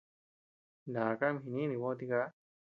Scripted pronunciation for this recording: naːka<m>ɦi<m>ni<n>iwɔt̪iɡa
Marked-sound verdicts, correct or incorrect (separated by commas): correct, incorrect, correct